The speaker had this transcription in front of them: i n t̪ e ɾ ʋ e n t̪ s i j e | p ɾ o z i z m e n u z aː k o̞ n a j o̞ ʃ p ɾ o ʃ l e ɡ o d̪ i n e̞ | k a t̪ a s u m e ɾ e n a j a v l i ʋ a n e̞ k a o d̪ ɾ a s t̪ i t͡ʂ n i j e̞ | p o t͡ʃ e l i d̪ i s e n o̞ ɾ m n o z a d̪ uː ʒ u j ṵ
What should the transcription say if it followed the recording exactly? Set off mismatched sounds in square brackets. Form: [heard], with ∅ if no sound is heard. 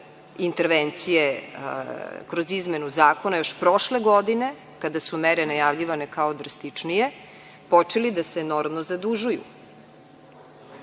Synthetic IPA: i n t̪ e ɾ ʋ e n t̪ s i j e | [k] ɾ o z i z m e n u z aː k o̞ n a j o̞ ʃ p ɾ o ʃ l e ɡ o d̪ i n e̞ | k a [d̪] a s u m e ɾ e n a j a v [ʎ] i ʋ a n e̞ k a o d̪ ɾ a s t̪ i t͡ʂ n i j e̞ | p o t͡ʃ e l i d̪ [a] s e n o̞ ɾ m n o z a d̪ [u] ʒ u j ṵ